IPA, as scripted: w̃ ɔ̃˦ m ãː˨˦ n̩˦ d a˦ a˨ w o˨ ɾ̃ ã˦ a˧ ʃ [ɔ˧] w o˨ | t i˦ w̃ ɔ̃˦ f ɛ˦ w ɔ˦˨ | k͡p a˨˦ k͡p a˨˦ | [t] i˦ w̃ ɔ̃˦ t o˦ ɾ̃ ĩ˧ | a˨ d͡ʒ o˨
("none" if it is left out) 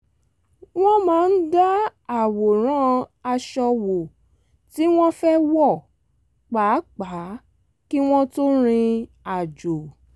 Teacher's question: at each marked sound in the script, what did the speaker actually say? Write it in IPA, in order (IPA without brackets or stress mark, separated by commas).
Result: ɔ˧, k